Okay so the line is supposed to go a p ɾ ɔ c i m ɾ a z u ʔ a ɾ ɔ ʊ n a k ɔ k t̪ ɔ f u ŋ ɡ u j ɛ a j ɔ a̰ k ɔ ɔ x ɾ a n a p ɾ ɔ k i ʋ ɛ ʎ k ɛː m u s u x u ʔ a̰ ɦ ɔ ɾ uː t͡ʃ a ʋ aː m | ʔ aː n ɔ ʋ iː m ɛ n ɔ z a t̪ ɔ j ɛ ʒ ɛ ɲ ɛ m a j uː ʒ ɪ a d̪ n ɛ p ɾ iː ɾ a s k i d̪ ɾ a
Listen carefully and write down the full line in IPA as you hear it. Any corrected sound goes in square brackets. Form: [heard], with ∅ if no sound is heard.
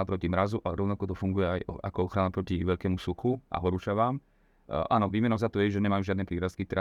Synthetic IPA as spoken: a p ɾ ɔ c i m ɾ a z u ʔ a ɾ ɔ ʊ n a k ɔ [∅] t̪ ɔ f u ŋ ɡ u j ɛ a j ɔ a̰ k ɔ ɔ x ɾ a n a p ɾ ɔ [c] i ʋ ɛ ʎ k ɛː m u s u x u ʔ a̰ ɦ ɔ ɾ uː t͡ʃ a ʋ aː m | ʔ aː n ɔ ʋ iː m ɛ n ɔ z a t̪ ɔ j ɛ ʒ ɛ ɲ ɛ m a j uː ʒ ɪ a d̪ n ɛ p ɾ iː ɾ a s k i [t̪] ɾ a